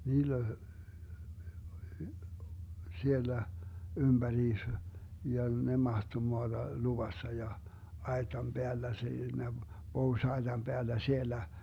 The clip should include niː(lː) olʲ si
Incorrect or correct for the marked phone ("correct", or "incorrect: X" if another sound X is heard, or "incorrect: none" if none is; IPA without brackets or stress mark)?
correct